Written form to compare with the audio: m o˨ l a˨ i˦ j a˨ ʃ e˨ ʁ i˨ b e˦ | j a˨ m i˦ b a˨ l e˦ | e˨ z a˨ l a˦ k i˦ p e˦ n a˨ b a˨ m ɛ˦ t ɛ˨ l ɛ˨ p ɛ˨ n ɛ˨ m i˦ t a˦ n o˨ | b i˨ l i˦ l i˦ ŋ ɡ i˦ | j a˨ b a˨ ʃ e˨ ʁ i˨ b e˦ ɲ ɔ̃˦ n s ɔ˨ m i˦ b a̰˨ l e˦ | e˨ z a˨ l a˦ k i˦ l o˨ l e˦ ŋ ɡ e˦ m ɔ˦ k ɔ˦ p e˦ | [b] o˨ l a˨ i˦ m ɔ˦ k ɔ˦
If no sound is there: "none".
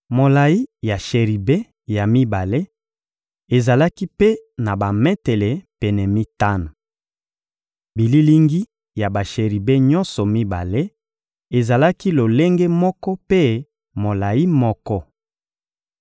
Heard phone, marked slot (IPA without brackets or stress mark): m